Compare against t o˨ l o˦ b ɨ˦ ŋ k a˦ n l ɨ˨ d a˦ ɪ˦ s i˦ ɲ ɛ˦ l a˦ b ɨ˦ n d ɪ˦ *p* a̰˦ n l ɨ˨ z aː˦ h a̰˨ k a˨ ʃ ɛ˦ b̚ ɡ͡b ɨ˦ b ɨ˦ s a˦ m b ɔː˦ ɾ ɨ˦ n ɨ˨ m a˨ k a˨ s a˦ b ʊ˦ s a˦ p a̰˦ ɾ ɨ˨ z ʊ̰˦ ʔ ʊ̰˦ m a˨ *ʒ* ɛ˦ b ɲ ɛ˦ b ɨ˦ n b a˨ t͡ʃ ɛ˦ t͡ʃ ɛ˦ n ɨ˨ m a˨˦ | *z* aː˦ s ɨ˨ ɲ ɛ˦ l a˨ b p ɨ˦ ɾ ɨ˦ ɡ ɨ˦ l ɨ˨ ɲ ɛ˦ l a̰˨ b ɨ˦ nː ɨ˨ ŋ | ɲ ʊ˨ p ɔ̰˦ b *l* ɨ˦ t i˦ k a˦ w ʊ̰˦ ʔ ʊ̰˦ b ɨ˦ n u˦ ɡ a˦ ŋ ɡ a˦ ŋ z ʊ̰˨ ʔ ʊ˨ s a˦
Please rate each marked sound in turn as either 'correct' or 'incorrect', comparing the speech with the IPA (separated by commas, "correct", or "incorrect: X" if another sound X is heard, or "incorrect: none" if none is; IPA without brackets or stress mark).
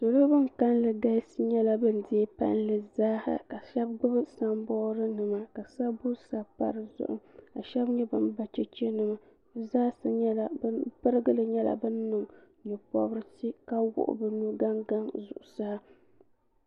correct, incorrect: ʃ, correct, incorrect: ɾ